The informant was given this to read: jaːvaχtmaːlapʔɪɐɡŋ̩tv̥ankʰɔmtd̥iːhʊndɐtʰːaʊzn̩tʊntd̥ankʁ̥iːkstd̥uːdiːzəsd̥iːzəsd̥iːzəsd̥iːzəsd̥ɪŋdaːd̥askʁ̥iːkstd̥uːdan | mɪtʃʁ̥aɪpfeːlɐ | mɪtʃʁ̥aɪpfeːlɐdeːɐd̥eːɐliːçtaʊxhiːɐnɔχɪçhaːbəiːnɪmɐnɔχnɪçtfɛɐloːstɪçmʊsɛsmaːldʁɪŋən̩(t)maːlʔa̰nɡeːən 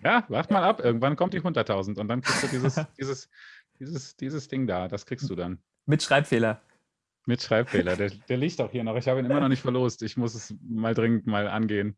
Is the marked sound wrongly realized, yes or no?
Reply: no